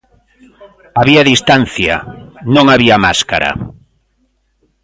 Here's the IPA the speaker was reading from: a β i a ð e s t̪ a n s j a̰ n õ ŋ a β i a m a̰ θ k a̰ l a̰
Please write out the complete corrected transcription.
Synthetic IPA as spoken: a β i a ð i s t̪ a n θ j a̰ n õ ŋ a β i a m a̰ s k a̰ ɾ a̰

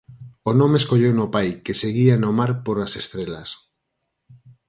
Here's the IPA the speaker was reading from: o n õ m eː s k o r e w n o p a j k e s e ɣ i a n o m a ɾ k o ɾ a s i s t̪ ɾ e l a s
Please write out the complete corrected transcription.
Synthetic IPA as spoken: o n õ m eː s k o ʎ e w n o p a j k e s e ɣ i a n o m a ɾ p o ɾ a s e s t̪ ɾ e l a s

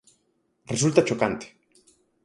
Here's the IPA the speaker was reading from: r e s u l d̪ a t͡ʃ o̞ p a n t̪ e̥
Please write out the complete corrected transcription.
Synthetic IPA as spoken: r e s u l t̪ a t͡ʃ o̞ k a n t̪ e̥

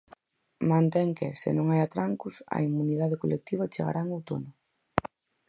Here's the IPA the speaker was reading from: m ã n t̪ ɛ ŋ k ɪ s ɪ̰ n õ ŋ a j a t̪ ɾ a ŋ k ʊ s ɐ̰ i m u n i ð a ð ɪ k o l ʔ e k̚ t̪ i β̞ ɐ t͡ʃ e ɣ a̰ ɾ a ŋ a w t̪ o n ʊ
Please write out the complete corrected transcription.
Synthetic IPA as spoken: m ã n t̪ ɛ ŋ k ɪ s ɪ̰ n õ ŋ a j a t̪ ɾ a ŋ k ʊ s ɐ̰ i m u n i ð a ð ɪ k o l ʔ e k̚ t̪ i β̞ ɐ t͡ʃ e ɣ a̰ ɾ a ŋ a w t̪ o n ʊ

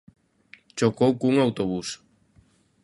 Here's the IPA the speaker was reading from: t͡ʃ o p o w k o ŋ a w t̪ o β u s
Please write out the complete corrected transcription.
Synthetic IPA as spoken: t͡ʃ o k o w k u ŋ a w t̪ o β u s

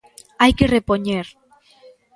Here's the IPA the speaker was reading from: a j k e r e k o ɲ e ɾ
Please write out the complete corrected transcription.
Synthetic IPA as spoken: a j k e r e p o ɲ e ɾ

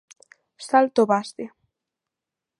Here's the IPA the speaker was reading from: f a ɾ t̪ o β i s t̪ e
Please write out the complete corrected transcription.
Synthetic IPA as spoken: s a l t̪ o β a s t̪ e

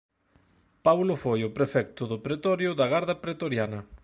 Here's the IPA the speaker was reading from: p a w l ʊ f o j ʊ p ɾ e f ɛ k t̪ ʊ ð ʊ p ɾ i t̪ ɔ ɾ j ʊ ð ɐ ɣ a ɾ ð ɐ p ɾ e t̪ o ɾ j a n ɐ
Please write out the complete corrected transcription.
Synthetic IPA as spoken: p a w l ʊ f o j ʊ p ɾ e f ɛ k t̪ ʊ ð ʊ p ɾ e t̪ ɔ ɾ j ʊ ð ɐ ɣ a ɾ ð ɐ p ɾ e t̪ o ɾ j a n ɐ

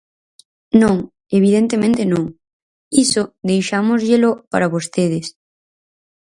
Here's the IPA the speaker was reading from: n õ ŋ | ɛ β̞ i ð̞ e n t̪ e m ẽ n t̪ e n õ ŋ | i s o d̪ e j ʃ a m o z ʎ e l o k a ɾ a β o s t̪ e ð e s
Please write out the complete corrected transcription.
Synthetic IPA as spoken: n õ ŋ | e β̞ i ð̞ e n t̪ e m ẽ n t̪ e n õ ŋ | i s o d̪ e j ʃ a m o z ʎ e l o p a ɾ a β o s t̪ e ð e s

